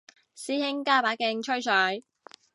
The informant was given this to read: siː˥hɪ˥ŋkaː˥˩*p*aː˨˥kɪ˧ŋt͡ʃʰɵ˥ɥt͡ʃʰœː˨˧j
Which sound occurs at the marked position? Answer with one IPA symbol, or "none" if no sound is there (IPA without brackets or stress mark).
p